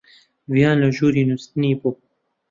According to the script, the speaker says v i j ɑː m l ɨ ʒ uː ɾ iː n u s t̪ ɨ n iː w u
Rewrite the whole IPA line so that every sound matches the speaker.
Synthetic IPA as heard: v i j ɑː n l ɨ ʒ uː ɾ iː n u s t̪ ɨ n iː b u